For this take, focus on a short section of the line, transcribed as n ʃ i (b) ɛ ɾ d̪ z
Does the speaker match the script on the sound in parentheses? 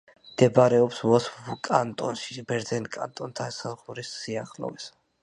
yes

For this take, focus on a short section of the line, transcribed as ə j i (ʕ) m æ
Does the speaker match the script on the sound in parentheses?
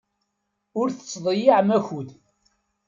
yes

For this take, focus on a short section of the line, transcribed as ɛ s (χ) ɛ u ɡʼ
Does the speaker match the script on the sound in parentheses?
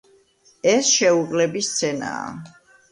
no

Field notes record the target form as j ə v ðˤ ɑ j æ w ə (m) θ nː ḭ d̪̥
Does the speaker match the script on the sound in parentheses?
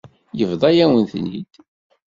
no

